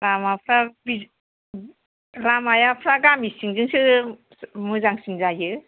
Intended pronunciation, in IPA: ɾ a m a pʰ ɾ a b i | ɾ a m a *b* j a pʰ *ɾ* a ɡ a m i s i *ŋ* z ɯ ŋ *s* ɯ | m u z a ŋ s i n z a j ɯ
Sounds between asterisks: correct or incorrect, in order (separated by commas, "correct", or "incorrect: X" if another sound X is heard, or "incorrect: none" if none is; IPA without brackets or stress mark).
incorrect: none, correct, correct, correct